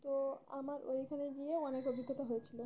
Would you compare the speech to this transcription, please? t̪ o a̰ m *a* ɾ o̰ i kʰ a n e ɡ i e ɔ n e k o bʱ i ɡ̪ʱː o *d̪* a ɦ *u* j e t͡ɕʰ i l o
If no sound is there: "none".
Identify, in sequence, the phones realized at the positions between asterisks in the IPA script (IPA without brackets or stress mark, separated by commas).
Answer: a, t̪, o